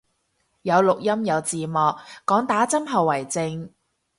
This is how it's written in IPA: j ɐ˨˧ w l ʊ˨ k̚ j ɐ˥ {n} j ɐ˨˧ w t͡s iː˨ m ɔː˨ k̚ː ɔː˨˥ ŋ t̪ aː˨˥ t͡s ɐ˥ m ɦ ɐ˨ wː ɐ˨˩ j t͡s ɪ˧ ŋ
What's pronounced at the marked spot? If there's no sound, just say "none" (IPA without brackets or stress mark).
m